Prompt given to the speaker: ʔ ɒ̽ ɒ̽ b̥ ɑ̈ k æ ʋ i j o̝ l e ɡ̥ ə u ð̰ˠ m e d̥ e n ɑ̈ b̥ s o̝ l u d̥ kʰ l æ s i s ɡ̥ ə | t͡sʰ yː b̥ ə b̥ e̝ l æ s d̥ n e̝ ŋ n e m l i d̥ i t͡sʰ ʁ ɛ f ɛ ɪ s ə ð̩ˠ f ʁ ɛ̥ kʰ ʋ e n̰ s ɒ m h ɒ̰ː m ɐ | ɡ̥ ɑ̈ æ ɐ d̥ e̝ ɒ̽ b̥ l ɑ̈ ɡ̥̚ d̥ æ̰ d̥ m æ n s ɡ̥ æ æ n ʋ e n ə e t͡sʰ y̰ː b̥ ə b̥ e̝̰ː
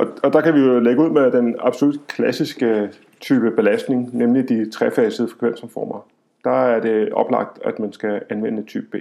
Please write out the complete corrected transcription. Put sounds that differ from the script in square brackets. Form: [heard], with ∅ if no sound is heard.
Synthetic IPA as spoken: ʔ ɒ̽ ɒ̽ [d̥] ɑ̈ k æ ʋ i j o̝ l e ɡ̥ ə u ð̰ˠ m e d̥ e n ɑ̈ b̥ s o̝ l u d̥ kʰ l æ s i s ɡ̥ ə | t͡sʰ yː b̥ ə b̥ e̝ l æ s d̥ n e̝ ŋ n e m l i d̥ i t͡sʰ ʁ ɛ f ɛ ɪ s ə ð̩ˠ f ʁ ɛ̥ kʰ ʋ e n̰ s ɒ m [f] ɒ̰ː m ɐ | [d̥] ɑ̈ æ ɐ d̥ e̝ ɒ̽ b̥ l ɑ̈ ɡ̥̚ d̥ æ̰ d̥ m æ n s ɡ̥ æ æ n ʋ e n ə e t͡sʰ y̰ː b̥ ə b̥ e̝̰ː